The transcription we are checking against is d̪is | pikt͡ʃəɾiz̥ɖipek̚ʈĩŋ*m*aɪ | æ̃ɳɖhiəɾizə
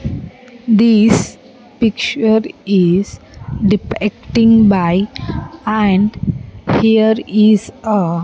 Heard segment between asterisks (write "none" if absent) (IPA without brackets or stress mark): b